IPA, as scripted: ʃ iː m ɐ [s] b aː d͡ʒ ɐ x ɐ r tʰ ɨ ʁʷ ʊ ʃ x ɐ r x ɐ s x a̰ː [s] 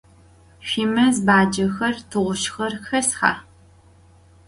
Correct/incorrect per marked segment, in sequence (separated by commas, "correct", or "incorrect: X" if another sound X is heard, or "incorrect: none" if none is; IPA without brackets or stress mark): incorrect: z, incorrect: none